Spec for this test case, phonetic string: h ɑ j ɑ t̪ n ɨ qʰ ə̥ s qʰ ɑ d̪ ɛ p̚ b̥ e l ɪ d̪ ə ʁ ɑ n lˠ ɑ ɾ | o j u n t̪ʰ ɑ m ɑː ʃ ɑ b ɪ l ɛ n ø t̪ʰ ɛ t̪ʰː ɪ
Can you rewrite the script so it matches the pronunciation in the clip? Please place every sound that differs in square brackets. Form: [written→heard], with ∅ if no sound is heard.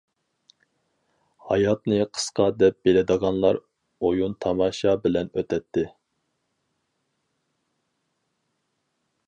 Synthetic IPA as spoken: h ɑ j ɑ t̪ n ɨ qʰ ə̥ s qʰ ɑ d̪ ɛ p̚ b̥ e l ɪ d̪ ə ʁ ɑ n lˠ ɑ ɾ | o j u n t̪ʰ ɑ m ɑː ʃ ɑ b ɪ l ɛ n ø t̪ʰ ɛ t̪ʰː ɪ